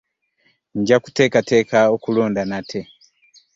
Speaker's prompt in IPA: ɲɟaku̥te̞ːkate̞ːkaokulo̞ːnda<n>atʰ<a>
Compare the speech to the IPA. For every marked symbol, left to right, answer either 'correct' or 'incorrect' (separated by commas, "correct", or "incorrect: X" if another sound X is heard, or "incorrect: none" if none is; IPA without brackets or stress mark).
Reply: correct, incorrect: e